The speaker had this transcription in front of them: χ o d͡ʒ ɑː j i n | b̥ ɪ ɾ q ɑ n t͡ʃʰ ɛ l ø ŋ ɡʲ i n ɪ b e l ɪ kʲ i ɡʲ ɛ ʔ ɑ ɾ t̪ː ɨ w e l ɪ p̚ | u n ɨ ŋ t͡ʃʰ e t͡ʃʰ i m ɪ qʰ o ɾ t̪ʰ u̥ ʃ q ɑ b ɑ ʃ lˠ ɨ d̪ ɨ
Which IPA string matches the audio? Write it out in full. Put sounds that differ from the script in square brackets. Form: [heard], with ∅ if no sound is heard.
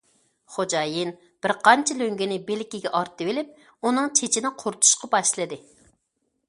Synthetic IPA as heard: χ o d͡ʒ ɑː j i n | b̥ ɪ ɾ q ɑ n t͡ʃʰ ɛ l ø ŋ ɡʲ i n ɪ b e l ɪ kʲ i ɡʲ ɛ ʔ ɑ ɾ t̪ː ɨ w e l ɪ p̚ | u n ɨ ŋ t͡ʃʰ e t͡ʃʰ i [n] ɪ qʰ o ɾ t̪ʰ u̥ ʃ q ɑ b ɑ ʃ lˠ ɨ d̪ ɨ